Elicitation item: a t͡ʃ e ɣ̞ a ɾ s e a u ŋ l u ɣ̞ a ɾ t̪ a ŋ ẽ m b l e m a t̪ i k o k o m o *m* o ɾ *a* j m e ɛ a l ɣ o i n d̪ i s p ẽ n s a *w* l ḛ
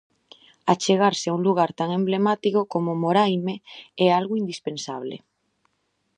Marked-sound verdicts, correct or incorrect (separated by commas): correct, correct, incorrect